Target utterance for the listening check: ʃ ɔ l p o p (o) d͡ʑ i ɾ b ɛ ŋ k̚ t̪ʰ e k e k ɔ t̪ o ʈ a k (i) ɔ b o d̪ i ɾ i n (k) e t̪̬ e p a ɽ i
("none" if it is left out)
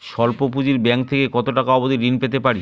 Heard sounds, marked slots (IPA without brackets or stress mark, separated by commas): u, a, p